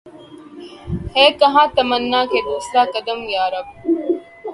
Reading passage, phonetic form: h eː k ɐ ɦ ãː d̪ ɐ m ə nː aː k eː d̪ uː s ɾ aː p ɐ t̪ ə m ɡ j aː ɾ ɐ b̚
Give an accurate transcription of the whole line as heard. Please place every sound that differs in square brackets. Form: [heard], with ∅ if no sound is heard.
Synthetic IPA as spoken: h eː k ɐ ɦ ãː [t̪] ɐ m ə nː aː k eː d̪ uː s ɾ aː [k] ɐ [d̪] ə m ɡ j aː ɾ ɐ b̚